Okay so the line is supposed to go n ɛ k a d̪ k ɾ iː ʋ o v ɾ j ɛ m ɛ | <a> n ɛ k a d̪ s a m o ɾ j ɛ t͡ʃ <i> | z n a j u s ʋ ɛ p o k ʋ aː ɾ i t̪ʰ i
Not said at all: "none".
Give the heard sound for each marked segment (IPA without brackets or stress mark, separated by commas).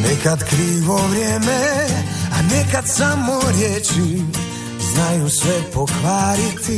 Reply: a, i